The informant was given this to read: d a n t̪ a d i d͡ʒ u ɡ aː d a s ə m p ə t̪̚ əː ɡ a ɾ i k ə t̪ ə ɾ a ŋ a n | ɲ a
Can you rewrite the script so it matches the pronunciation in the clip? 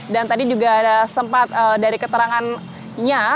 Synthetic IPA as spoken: d a n t̪ a d i d͡ʒ u ɡ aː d a s ə m p a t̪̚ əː d a ɾ i k ə t̪ ə ɾ a ŋ a n | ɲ a